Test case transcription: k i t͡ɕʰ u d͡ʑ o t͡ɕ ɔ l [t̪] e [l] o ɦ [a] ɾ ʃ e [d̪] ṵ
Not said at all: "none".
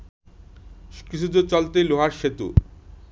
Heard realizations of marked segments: t̪, l, a, t̪

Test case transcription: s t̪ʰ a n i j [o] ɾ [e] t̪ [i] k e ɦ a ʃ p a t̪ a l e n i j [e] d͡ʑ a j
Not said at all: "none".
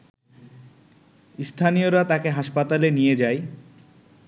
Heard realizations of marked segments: o, a, a, e

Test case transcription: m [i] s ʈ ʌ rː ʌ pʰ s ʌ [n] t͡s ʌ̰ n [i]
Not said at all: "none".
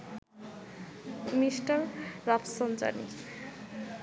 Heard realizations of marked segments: i, n, i

